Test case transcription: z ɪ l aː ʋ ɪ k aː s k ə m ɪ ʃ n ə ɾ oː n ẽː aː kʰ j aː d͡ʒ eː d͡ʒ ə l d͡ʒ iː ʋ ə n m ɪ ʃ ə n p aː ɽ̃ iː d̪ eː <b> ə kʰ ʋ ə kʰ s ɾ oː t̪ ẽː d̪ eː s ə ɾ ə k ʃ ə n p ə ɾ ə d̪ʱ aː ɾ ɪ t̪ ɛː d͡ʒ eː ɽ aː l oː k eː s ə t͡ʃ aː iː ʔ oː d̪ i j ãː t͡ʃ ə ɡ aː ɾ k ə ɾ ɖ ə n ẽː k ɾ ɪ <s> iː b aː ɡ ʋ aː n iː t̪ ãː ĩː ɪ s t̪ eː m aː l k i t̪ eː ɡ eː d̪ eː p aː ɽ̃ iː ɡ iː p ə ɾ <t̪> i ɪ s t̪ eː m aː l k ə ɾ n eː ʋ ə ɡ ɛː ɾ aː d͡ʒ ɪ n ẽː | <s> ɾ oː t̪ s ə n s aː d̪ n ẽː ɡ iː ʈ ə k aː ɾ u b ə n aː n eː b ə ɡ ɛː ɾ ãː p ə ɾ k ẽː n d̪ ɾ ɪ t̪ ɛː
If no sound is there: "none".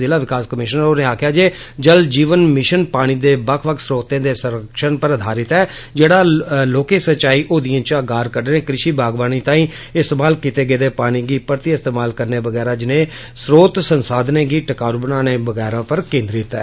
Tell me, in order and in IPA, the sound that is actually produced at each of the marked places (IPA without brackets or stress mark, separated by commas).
b, ʃ, t̪, s